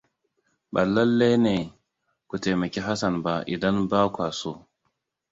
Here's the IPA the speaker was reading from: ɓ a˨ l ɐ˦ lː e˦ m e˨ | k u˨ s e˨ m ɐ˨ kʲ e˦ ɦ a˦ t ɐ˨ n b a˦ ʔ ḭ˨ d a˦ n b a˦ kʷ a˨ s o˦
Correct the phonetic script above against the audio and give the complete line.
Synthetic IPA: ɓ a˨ l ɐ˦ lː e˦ n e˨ | k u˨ t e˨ m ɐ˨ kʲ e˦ ɦ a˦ s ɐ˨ n b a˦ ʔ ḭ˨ d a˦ n b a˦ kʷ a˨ s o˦

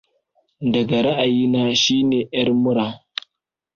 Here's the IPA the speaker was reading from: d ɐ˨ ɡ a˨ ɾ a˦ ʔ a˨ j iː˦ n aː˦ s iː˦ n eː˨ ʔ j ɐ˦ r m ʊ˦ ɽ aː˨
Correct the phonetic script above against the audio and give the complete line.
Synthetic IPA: d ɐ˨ ɡ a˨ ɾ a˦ ʔ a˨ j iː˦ n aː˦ ʃ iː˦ n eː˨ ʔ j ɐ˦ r m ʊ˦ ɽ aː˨

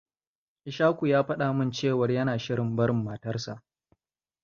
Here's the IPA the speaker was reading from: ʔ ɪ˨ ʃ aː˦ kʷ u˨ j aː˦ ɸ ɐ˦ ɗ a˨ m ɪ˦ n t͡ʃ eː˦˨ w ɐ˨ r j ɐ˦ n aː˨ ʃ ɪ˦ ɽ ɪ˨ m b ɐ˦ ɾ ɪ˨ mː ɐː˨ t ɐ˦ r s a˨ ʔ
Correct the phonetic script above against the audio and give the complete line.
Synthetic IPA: ʔ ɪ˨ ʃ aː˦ kʷ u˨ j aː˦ ɸ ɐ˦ ɗ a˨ m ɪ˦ n t͡ʃ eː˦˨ w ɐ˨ r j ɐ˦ n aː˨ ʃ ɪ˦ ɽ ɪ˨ m b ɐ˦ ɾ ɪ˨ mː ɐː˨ t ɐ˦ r s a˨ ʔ

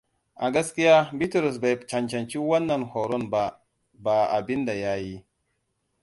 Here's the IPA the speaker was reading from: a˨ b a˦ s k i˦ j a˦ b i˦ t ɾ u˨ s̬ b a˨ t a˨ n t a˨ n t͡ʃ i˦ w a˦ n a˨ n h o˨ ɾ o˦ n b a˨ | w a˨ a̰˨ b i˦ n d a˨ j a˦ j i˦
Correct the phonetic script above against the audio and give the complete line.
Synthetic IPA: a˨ ɡ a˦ s k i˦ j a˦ b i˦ t ɾ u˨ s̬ b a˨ t͡ʃ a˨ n t͡ʃ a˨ n t͡ʃ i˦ w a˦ nː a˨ n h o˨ ɾ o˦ n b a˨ | b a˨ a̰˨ b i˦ n d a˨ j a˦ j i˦

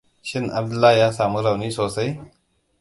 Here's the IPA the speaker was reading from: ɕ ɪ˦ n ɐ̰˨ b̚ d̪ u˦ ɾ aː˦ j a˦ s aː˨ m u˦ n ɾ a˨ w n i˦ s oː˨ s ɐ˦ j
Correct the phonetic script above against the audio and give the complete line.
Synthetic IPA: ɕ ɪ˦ n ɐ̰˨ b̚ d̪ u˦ l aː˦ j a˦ s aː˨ m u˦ ɾ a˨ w n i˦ s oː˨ s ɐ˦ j

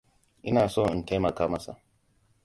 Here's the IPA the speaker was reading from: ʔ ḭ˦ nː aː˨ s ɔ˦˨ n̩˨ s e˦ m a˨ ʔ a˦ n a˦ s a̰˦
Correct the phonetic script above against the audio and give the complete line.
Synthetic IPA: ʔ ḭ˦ n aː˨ s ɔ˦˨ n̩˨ t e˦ m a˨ k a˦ m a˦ s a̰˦

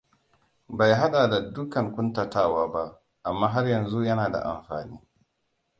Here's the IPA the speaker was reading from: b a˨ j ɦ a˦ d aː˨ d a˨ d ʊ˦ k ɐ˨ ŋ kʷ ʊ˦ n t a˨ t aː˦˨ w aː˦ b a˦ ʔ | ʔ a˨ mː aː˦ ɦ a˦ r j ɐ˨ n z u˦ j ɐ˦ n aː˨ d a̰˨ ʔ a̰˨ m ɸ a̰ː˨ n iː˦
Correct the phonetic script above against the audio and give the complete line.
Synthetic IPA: b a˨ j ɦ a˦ ɗ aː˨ d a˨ d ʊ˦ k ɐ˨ ŋ kʷ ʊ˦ n t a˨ t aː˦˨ w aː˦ b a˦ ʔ | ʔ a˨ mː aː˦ ɦ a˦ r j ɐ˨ n z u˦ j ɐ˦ n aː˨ d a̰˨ ʔ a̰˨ m ɸ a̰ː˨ n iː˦

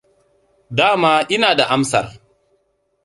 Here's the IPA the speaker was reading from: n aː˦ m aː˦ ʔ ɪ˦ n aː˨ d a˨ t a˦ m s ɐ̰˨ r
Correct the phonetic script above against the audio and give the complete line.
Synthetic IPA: d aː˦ m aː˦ ʔ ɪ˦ n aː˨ d a˨ ʔ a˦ m s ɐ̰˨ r

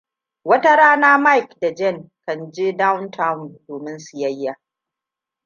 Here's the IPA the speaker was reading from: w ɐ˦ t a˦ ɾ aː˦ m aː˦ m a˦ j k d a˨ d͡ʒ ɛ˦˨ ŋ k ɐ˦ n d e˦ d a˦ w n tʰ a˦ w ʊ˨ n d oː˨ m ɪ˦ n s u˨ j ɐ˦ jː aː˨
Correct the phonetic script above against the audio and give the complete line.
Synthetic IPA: w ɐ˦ t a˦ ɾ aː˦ n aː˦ m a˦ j k d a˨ d͡ʒ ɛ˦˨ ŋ k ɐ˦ n d͡ʒ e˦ d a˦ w n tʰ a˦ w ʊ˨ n d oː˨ m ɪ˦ n s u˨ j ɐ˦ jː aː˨

